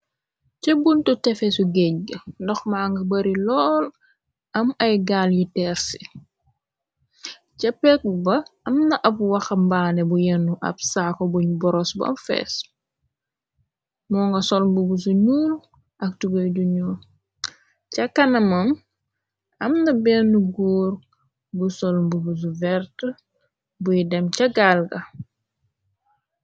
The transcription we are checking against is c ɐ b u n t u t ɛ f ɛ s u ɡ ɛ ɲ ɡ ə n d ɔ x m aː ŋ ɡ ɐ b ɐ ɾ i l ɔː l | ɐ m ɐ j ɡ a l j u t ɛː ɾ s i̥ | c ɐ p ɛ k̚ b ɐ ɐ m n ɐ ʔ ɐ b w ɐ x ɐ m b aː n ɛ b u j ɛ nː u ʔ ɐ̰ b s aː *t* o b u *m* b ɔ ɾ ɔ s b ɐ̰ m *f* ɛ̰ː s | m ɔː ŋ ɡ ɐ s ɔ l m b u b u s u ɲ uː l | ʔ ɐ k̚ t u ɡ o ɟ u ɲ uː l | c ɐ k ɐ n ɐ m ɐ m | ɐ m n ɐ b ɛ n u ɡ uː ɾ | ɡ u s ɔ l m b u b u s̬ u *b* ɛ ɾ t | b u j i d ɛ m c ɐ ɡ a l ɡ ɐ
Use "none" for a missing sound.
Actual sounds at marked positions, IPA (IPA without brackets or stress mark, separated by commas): k, ɲ, f, v